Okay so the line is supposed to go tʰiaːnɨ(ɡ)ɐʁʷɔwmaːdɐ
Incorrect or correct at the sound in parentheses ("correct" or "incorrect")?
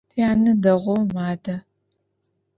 incorrect